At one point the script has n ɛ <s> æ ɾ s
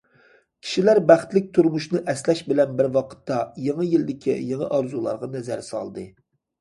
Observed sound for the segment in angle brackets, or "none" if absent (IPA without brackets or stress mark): z